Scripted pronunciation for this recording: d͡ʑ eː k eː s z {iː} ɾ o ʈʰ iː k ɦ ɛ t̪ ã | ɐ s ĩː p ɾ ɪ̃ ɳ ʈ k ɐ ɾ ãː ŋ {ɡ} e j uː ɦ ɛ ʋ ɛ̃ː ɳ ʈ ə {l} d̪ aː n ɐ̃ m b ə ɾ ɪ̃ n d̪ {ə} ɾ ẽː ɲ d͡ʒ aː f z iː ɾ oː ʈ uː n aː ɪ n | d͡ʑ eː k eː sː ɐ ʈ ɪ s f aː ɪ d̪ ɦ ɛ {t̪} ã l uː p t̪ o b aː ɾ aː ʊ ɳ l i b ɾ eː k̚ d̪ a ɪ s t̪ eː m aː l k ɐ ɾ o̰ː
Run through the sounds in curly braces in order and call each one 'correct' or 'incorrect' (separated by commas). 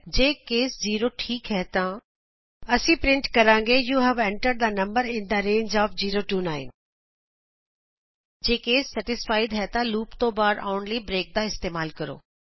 correct, correct, incorrect, incorrect, correct